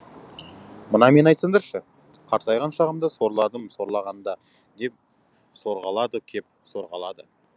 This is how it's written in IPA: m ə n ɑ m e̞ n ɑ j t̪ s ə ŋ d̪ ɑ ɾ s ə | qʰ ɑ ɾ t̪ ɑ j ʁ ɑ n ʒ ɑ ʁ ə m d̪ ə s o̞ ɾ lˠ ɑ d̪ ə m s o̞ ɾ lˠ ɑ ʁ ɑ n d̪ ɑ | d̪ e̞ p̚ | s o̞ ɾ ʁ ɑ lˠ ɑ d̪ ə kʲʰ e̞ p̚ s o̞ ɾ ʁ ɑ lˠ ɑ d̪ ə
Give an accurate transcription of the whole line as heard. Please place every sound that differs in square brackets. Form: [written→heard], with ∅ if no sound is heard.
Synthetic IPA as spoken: m ə n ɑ m e̞ n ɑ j t̪ s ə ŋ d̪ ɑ ɾ [s→ʃ] ə | qʰ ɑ ɾ t̪ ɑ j ʁ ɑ n [ʒ→ʃ] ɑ ʁ ə m d̪ ə s o̞ ɾ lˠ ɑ d̪ ə m s o̞ ɾ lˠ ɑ ʁ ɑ n d̪ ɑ | d̪ e̞ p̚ | s o̞ ɾ ʁ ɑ lˠ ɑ d̪ ə kʲʰ e̞ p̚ s o̞ ɾ ʁ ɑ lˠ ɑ d̪ ə

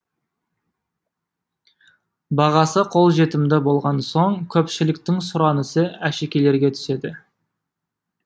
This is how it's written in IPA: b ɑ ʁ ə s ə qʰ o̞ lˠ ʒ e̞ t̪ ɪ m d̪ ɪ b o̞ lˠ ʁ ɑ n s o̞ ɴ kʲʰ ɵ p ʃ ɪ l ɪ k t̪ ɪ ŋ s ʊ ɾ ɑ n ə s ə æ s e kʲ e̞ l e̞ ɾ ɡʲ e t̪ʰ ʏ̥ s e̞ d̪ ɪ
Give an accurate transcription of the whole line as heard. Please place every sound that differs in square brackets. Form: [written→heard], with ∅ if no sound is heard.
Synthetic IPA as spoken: b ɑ ʁ [ə→ɑ] s ə qʰ o̞ lˠ ʒ e̞ t̪ ɪ m d̪ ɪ b o̞ lˠ ʁ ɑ n s o̞ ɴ kʲʰ ɵ p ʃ ɪ l ɪ k t̪ ɪ ŋ s ʊ ɾ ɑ n ə s ə æ [s→ʃ] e kʲ e̞ l e̞ ɾ ɡʲ e t̪ʰ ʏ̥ s e̞ d̪ ɪ

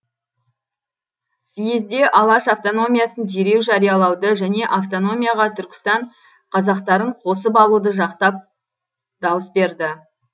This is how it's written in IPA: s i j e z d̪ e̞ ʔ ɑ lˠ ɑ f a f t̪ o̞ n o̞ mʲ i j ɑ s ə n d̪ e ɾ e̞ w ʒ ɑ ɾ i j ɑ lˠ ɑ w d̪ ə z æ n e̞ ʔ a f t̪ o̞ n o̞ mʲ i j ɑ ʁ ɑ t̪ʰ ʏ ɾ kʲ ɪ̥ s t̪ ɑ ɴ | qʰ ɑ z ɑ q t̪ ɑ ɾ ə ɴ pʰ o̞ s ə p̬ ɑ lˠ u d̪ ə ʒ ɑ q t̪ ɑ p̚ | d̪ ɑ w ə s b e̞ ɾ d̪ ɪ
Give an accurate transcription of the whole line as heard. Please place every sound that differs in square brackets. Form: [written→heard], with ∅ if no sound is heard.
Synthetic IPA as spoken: s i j e z d̪ e̞ ʔ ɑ lˠ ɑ [f→ʃ] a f t̪ o̞ n o̞ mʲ i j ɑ s ə n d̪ e ɾ e̞ w ʒ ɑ ɾ i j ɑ lˠ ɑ w d̪ ə [z→ʒ] æ n e̞ ʔ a f t̪ o̞ n o̞ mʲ i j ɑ ʁ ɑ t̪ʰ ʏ ɾ kʲ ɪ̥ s t̪ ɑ ɴ | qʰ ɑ z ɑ q t̪ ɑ ɾ ə ɴ [pʰ→qʰ] o̞ s ə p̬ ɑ lˠ u d̪ ə ʒ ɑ q t̪ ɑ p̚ | d̪ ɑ w ə s b e̞ ɾ d̪ ɪ

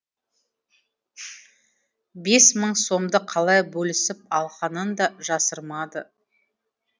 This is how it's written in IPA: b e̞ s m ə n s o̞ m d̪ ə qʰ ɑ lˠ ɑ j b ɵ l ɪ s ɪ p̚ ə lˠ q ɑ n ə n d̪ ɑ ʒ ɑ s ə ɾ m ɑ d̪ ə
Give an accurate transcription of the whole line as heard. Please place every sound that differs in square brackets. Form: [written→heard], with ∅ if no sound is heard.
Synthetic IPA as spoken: b e̞ s m ə [n→ɴ] s o̞ m d̪ ə qʰ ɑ lˠ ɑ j b ɵ l ɪ s ɪ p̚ [ə→ɑ] lˠ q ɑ n ə n d̪ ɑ ʒ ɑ s ə ɾ m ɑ d̪ ə

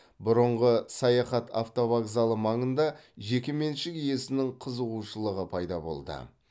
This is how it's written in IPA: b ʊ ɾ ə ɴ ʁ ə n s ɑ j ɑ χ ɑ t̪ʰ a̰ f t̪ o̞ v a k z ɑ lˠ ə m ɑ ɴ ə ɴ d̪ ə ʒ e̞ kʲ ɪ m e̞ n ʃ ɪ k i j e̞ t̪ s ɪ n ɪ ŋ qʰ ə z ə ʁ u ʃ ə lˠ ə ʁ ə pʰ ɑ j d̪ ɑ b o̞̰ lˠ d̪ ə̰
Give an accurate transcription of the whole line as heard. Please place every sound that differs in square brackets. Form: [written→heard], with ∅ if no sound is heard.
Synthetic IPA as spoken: b ʊ ɾ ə ɴ ʁ ə [n→∅] s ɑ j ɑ χ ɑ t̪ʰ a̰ f t̪ o̞ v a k z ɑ lˠ ə m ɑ ɴ ə [ɴ→n] d̪ [ə→ɑ] ʒ e̞ kʲ ɪ m e̞ n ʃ ɪ k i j e̞ [t̪→∅] s ɪ n ɪ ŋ qʰ ə z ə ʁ u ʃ ə lˠ ə ʁ ə pʰ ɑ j d̪ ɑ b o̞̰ lˠ d̪ ə̰

